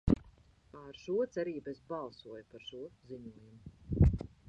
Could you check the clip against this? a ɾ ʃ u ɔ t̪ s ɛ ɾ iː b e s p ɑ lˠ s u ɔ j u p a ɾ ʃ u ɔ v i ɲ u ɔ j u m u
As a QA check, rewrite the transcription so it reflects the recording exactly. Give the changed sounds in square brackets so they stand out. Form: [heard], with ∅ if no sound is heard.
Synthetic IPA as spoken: a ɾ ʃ u ɔ t̪ s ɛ ɾ iː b e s [b] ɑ lˠ s u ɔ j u p a ɾ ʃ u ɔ [z] i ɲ u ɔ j u m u